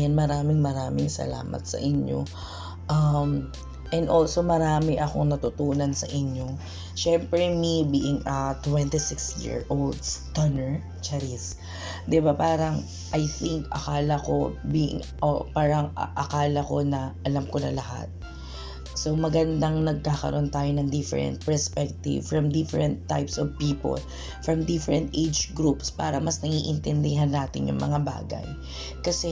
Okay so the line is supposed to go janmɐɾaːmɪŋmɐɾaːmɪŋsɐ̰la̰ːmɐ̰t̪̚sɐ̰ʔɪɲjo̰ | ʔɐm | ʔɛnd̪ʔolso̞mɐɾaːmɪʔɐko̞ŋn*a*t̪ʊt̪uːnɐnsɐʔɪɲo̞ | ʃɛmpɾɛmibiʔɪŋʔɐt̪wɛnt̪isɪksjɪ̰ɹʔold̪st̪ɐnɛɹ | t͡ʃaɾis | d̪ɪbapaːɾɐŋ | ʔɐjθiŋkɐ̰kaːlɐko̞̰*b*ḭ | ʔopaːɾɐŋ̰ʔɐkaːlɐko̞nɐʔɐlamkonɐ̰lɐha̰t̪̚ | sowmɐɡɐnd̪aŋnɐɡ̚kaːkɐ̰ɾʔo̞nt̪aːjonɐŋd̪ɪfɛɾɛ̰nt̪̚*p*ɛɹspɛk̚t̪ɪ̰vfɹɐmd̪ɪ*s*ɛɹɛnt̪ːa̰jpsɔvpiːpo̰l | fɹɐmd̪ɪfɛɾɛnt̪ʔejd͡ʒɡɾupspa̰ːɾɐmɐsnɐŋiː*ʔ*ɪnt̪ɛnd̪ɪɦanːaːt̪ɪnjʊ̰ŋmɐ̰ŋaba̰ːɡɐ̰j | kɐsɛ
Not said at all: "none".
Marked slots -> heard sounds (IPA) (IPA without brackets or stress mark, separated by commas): ɐ, b, p, f, ʔ